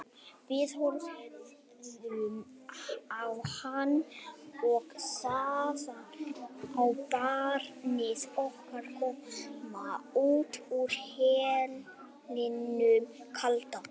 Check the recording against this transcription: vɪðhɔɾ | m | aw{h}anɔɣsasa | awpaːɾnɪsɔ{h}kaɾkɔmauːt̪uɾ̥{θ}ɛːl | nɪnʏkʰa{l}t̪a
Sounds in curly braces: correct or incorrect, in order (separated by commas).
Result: correct, correct, incorrect, correct